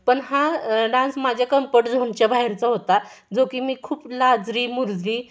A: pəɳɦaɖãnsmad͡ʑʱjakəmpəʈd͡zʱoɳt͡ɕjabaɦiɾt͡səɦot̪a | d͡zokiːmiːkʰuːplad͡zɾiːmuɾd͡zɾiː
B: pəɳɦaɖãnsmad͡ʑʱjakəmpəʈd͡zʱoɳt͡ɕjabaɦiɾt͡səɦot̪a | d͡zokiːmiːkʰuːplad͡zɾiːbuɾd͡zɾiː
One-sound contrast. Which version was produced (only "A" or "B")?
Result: A